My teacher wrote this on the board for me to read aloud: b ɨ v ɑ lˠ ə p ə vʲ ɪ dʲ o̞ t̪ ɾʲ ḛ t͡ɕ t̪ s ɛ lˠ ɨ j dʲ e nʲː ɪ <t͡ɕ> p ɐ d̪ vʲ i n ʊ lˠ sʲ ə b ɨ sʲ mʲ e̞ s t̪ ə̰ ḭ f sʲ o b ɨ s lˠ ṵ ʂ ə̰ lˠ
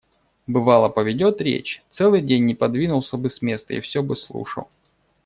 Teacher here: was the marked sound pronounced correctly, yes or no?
no